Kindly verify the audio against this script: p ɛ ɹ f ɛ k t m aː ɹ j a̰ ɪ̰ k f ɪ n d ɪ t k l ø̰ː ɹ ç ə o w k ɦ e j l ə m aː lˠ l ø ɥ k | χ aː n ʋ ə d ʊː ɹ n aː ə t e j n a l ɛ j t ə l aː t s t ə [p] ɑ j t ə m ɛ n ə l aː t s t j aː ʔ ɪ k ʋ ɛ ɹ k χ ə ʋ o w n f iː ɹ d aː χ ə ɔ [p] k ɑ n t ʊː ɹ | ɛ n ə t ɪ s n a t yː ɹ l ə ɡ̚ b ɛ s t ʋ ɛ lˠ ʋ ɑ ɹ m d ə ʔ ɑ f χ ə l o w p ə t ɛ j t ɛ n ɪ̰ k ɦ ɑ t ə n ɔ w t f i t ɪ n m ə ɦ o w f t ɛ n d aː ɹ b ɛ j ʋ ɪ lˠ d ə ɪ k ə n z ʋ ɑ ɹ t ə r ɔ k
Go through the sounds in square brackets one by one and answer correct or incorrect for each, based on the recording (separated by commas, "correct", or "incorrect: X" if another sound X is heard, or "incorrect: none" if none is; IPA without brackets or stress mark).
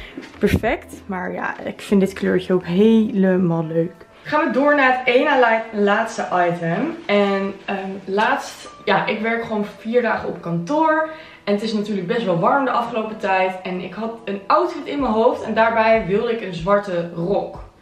incorrect: ʔ, correct